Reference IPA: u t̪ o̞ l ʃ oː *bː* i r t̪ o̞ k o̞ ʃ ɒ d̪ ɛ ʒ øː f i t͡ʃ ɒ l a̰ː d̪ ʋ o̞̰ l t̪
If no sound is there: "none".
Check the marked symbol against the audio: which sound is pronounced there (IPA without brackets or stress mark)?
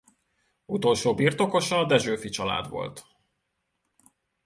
b